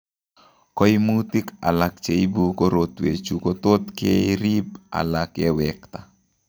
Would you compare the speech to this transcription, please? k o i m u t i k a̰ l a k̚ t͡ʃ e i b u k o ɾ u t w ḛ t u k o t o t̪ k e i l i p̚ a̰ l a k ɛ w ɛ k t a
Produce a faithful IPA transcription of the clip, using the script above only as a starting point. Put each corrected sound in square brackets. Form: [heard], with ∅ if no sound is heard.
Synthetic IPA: k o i m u t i k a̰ l a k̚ t͡ʃ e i b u k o ɾ [o] t w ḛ [t͡ʃ] u k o t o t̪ k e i [ɾ] i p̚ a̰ l a k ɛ w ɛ k t a

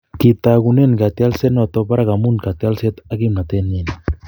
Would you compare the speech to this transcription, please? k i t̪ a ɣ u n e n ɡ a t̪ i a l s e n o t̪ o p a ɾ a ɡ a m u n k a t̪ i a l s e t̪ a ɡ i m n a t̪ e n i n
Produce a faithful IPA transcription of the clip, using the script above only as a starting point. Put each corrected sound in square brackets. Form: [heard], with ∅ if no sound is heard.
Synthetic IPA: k i t̪ a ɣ u n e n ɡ a t̪ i a l s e n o t̪ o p a ɾ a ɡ a m u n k a t̪ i a l s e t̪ a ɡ i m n a t̪ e n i n

